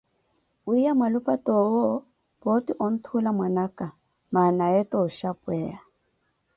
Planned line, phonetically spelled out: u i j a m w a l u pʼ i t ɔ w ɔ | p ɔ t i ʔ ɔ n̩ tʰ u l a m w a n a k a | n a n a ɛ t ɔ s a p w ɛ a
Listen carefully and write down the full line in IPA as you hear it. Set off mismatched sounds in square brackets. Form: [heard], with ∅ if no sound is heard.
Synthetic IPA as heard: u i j a m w a l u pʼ [a] t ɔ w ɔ | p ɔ t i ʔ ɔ n̩ tʰ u l a m w a n a k a | [m] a n a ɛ t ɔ [ʃ] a p w ɛ a

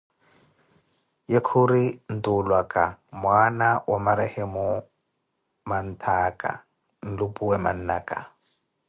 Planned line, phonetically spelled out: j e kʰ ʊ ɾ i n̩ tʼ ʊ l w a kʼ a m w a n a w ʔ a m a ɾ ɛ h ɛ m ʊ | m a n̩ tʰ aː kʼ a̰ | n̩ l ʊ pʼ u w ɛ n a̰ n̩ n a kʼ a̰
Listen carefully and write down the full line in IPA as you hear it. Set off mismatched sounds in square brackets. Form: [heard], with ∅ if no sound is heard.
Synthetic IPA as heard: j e kʰ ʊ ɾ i n̩ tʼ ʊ l w a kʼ a m w a n a w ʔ a m a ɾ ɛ h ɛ m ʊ | m a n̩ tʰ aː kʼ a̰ | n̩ l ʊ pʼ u w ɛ [m] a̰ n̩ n a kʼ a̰

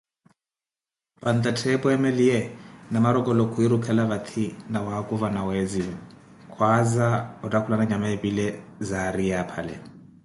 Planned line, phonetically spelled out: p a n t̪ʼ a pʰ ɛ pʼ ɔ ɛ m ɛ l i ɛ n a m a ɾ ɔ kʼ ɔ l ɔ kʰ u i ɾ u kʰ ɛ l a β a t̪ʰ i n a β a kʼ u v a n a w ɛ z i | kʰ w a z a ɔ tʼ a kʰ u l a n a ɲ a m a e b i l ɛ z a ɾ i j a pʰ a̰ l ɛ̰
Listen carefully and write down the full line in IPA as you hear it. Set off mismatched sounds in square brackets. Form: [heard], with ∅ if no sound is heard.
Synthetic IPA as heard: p a n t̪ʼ a [tʰ] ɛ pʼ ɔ ɛ m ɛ l i ɛ n a m a ɾ ɔ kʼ ɔ l ɔ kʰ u i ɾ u kʰ ɛ l a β a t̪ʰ i n a [w] a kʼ u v a n a w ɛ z i | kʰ w a z a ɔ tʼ a kʰ u l a n a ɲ a m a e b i l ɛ z a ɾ i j a pʰ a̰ l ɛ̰

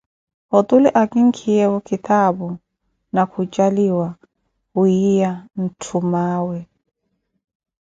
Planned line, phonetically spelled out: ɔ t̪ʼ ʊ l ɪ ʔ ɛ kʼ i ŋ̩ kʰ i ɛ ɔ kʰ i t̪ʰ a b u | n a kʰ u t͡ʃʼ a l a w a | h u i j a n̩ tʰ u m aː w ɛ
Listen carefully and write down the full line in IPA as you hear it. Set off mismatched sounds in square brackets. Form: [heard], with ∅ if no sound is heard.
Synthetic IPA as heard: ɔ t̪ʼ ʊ l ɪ ʔ [a] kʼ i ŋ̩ kʰ i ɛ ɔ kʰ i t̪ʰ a b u | n a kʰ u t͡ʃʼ a l [i] w a | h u i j a n̩ tʰ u m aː w ɛ

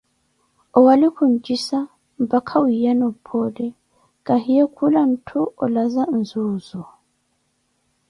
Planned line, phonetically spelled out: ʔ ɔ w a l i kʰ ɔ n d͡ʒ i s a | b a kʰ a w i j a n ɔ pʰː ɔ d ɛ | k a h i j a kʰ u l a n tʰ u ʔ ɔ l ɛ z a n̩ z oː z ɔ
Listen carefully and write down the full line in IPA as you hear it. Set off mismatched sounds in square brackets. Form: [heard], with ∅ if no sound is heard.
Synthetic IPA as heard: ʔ ɔ w a l i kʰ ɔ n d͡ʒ i s a | b a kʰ a w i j a n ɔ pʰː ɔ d ɛ | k a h i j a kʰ u l a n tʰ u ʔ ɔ l [a] z a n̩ z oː z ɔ

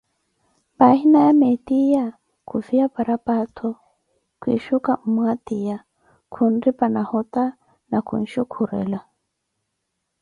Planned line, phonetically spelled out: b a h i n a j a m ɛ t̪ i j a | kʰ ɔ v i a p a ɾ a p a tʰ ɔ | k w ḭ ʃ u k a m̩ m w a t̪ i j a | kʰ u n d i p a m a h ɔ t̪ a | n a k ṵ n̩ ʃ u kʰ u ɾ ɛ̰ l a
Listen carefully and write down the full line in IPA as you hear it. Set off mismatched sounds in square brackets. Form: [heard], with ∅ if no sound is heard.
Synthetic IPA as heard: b a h i n a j a m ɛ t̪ i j a | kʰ [u] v i a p a ɾ a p a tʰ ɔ | k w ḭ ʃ u k a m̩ m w a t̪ i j a | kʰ u n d i p a [n] a h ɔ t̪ a | n a k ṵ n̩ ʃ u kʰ u ɾ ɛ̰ l a

